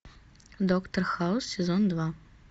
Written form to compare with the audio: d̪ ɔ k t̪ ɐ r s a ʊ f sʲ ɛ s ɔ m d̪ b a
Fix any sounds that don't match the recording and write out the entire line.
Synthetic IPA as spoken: d̪ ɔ k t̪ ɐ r x a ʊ s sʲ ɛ z ɔ n d̪ v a